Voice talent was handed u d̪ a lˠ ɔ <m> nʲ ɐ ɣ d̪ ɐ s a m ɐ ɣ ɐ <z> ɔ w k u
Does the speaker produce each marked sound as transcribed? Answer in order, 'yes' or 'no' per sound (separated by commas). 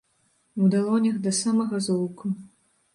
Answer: no, yes